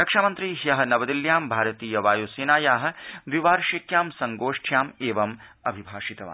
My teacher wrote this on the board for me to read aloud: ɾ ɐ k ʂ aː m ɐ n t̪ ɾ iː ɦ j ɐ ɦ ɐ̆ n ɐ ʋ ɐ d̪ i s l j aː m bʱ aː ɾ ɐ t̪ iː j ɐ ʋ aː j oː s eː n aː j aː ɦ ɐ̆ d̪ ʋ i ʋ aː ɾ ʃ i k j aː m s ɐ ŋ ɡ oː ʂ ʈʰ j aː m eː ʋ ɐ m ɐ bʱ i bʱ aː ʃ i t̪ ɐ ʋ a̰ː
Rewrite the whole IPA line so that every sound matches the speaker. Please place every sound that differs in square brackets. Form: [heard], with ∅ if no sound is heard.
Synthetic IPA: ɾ ɐ k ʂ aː m ɐ n t̪ ɾ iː ɦ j ɐ ɦ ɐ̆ n ɐ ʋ ɐ d̪ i [∅] l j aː m bʱ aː ɾ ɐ t̪ iː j ɐ ʋ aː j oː s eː n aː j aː ɦ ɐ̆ d̪ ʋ i ʋ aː ɾ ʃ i k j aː m s ɐ ŋ ɡ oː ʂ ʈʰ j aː m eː ʋ ɐ m ɐ bʱ i bʱ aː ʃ i t̪ ɐ ʋ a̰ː

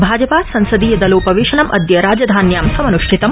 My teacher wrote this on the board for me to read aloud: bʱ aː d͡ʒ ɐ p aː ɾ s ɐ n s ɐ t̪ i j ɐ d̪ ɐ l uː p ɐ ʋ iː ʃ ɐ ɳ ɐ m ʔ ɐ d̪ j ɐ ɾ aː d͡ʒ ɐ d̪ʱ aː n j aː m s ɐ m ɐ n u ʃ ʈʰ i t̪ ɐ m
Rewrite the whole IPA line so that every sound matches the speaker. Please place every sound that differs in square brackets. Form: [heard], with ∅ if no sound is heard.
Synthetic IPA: bʱ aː d͡ʒ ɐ p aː [∅] s ɐ n s ɐ [d̪] i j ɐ d̪ ɐ l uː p ɐ ʋ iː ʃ ɐ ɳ ɐ m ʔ ɐ d̪ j ɐ ɾ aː d͡ʒ ɐ d̪ʱ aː n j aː m s ɐ m ɐ n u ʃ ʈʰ i t̪ ɐ m

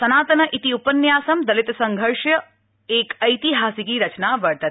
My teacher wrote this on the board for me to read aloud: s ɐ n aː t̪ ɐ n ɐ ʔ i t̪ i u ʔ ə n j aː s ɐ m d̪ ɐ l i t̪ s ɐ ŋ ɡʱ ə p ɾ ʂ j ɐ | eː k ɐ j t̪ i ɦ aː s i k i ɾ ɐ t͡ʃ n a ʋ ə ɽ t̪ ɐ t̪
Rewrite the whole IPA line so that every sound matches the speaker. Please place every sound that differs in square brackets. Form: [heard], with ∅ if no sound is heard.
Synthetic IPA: s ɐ n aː t̪ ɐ n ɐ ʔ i t̪ i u [p] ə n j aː s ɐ m d̪ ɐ l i t̪ s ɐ ŋ ɡʱ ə [∅] ɾ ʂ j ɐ | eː k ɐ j t̪ i ɦ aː s i k i ɾ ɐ t͡ʃ n a ʋ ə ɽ t̪ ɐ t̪

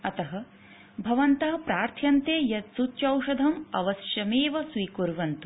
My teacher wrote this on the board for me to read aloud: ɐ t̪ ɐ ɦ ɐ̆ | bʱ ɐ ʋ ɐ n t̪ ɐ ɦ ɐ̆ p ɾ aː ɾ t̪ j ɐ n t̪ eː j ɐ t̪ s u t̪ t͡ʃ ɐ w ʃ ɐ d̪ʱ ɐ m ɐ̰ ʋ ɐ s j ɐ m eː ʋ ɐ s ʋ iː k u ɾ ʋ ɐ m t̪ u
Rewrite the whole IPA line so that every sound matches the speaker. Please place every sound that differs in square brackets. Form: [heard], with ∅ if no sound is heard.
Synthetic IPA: ɐ t̪ ɐ ɦ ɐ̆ | bʱ ɐ ʋ ɐ n t̪ ɐ ɦ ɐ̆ p ɾ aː ɾ [t̪ʰ] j ɐ n t̪ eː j ɐ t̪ s u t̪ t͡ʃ ɐ w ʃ ɐ d̪ʱ ɐ m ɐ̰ ʋ ɐ s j ɐ m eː ʋ ɐ s ʋ iː k u ɾ ʋ ɐ [n] t̪ u

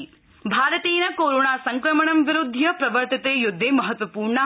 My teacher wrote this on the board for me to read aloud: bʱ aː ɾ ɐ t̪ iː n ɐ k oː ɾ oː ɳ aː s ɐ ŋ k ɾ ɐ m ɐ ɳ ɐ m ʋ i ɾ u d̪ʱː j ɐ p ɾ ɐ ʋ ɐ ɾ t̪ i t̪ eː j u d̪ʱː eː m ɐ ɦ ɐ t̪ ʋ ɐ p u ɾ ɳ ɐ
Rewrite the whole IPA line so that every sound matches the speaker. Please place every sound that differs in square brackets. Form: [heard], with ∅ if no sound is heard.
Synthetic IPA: bʱ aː ɾ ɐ t̪ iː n ɐ k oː ɾ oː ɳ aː s ɐ ŋ k ɾ ɐ m ɐ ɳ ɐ m ʋ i ɾ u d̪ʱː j ɐ p ɾ ɐ ʋ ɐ ɾ t̪ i t̪ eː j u d̪ʱː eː m ɐ ɦ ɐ t̪ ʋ ɐ p [uː] ɾ ɳ ɐ

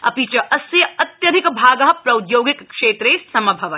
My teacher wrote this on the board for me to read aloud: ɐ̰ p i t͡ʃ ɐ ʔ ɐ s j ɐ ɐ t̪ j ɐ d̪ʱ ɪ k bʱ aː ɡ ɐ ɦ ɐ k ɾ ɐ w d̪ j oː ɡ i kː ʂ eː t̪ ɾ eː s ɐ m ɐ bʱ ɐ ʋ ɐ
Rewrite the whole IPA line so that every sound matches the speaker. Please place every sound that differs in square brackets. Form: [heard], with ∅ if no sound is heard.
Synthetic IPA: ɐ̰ p i t͡ʃ ɐ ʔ ɐ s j ɐ ɐ t̪ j ɐ d̪ʱ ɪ k bʱ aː ɡ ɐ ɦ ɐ [p] ɾ ɐ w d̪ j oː ɡ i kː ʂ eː t̪ ɾ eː s ɐ m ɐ bʱ ɐ ʋ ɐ

